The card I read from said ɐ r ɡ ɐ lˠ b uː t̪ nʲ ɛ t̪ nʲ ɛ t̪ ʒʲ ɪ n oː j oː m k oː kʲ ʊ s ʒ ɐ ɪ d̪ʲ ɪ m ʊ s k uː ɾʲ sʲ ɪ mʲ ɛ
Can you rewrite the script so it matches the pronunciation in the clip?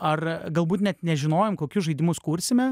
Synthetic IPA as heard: ɐ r ɡ ɐ lˠ b uː t̪ nʲ ɛ t̪ nʲ ɛ ʒʲ ɪ n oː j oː m k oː kʲ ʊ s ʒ ɐ ɪ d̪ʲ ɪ m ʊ s k uː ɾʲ sʲ ɪ mʲ ɛ